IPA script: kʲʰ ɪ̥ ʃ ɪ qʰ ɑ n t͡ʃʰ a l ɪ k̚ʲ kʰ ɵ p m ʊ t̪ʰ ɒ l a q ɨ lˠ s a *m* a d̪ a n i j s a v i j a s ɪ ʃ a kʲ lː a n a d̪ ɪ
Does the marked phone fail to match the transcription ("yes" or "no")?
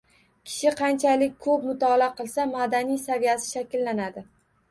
no